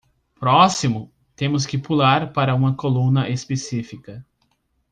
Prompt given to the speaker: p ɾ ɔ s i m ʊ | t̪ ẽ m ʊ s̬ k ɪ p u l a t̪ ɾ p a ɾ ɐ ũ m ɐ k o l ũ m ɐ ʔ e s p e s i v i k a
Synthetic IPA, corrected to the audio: p ɾ ɔ s i m ʊ | t̪ ẽ m ʊ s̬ k ɪ p u l a ɾ p a ɾ ɐ ũ m ɐ k o l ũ n ɐ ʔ e s p e s i f i k ɐ